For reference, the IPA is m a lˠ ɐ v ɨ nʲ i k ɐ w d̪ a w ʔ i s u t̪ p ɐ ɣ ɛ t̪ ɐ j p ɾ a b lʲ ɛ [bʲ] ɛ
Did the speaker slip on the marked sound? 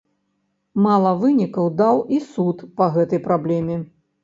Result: yes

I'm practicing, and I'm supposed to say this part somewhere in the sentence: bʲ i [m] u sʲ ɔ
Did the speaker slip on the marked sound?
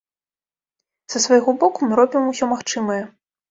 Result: no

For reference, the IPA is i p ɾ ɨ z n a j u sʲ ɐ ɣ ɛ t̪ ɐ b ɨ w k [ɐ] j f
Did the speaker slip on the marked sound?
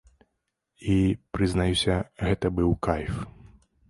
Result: yes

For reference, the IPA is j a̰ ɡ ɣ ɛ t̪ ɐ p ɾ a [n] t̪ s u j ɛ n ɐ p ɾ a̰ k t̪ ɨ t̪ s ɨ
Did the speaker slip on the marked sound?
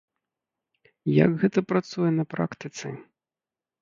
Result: yes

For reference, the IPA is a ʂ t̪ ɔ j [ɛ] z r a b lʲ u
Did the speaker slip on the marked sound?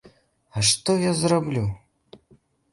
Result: yes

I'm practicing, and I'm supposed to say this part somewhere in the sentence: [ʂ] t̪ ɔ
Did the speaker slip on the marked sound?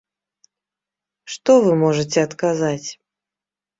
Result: no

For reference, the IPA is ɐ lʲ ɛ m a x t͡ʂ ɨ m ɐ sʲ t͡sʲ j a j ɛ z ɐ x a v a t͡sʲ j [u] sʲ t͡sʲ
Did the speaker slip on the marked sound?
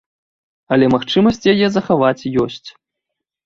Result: yes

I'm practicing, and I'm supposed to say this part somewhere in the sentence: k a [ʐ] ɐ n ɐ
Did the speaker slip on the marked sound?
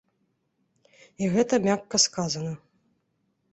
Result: yes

